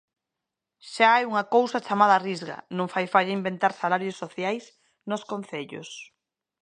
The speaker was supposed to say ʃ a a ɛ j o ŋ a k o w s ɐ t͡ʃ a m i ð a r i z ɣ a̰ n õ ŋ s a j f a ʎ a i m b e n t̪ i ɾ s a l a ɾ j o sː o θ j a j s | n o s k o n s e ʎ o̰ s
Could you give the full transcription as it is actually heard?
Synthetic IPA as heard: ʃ a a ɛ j u ŋ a k o w s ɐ t͡ʃ a m a ð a r i z ɣ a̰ n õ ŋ f a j f a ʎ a i m b e n t̪ a ɾ s a l a ɾ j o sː o θ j a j s | n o s k o n θ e ʎ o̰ s